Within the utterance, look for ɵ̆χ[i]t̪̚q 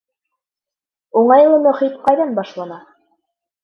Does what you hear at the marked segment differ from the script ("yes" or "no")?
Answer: no